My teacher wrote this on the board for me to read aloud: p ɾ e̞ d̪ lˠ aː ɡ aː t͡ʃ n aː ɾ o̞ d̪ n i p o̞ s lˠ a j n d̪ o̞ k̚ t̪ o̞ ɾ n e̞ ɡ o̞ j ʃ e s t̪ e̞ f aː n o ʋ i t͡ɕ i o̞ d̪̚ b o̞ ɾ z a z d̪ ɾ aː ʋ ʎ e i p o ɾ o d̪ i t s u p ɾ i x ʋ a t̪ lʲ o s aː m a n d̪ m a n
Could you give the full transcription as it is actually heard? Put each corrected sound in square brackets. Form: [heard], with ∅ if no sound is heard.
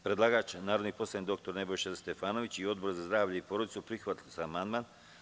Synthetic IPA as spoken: p ɾ e̞ d̪ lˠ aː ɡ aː t͡ʃ n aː ɾ o̞ d̪ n i p o̞ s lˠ a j n d̪ o̞ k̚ t̪ o̞ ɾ n e̞ [b] o̞ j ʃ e s t̪ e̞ f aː n o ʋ i t͡ɕ i o̞ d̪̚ b o̞ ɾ z a z d̪ ɾ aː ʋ ʎ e i p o ɾ o d̪ i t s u p ɾ i x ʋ a t̪ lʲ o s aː m a n d̪ m a n